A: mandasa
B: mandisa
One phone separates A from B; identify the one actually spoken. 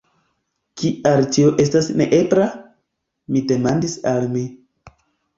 B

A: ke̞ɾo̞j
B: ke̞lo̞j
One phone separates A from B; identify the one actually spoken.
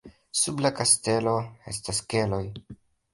B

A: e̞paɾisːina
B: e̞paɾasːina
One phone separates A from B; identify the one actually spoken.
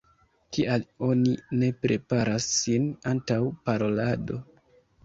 B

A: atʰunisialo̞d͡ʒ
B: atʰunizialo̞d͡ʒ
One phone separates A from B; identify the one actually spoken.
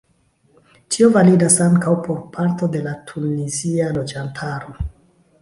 B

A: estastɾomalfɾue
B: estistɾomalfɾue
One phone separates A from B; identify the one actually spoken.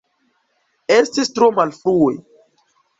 B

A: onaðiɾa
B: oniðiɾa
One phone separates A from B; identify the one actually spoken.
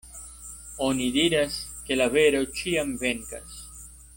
B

